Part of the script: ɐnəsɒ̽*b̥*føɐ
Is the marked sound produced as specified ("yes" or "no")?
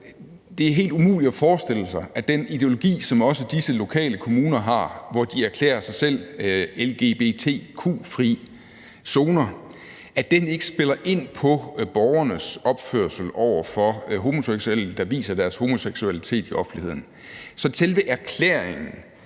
yes